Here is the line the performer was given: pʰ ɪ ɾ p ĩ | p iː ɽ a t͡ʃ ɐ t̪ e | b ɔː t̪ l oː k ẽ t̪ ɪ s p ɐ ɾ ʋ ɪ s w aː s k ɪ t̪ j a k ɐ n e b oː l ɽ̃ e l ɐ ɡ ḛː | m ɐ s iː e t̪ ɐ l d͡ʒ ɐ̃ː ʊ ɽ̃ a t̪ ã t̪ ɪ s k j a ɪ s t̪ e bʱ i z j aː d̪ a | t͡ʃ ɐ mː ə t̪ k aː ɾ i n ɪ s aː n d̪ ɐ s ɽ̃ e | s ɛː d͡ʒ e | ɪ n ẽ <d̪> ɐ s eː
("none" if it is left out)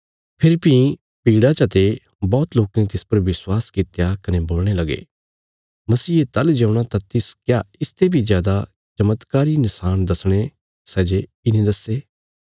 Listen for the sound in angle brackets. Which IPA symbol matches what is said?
d̪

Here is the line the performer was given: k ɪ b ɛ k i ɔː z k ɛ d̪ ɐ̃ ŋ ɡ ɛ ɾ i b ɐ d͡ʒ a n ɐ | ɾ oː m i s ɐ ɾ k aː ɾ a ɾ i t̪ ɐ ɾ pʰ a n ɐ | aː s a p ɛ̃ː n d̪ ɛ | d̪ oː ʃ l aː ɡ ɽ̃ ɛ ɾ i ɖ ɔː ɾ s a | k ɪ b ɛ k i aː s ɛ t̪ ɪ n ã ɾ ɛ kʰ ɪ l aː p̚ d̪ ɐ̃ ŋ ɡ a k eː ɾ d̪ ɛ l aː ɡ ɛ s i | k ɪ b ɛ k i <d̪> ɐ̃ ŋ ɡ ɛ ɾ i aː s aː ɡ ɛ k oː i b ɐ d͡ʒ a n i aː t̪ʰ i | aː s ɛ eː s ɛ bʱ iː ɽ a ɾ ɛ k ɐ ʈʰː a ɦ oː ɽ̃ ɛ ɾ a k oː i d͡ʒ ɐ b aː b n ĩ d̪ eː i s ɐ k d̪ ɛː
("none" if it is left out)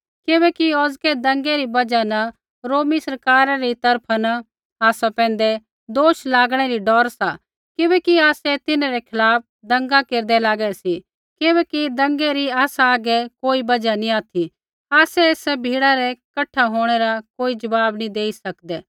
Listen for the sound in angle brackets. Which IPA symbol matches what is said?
d̪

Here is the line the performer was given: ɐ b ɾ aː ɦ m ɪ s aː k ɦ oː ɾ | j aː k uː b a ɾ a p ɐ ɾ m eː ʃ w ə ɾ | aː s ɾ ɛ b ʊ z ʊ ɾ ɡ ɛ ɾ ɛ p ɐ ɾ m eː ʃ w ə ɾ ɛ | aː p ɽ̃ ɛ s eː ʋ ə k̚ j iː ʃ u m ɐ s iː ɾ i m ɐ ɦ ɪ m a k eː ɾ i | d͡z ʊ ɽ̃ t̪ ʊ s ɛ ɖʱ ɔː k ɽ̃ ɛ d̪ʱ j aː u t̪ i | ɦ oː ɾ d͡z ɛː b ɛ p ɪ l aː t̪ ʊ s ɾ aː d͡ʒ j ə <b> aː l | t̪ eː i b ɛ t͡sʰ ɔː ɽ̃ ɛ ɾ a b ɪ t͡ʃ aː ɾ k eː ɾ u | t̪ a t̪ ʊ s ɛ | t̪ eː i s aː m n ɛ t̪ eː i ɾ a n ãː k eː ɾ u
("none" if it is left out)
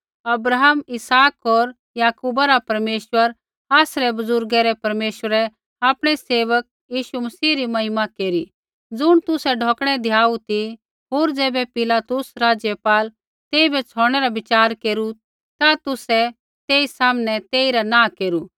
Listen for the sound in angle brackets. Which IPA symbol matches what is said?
p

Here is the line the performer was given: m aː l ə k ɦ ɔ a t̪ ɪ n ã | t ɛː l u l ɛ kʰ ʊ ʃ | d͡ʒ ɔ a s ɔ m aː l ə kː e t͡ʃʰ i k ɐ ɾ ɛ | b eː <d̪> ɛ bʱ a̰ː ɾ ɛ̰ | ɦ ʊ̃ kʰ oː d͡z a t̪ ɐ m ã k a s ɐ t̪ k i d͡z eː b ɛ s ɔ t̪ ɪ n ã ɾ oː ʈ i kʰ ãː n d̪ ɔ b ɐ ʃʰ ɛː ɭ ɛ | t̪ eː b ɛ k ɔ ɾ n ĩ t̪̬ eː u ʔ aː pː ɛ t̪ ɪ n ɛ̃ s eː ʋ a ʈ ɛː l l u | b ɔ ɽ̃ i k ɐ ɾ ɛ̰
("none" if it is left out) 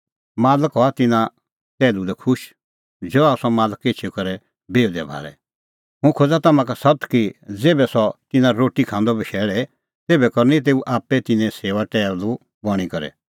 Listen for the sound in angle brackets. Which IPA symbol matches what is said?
d̪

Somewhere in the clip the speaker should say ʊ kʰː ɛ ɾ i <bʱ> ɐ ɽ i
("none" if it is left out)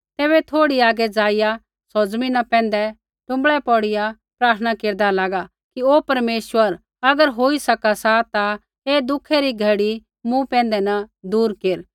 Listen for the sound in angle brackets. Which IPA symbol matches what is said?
ɡʱ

